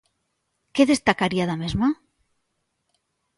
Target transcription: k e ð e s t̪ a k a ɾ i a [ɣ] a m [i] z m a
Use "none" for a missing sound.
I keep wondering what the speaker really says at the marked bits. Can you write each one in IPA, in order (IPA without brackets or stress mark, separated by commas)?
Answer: ð, e